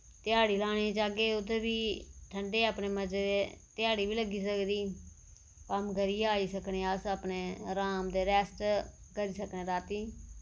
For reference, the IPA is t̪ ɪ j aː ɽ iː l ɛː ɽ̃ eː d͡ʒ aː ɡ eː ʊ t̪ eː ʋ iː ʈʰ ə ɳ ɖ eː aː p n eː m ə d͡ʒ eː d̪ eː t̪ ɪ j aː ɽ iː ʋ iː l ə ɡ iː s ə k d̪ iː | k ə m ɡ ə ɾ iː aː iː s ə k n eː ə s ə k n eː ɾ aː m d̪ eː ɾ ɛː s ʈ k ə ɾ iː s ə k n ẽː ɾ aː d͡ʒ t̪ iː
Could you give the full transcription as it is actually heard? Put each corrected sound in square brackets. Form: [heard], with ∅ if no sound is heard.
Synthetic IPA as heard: t̪ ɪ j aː ɽ iː l [aː] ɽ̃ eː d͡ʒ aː ɡ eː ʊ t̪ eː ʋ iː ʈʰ ə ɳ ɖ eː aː p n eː m ə d͡ʒ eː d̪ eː t̪ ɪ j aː ɽ iː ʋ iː l ə ɡ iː s ə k d̪ iː | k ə m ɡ ə ɾ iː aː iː s ə k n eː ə s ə [p] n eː ɾ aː m d̪ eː ɾ ɛː s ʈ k ə ɾ iː s ə k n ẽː ɾ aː [∅] t̪ iː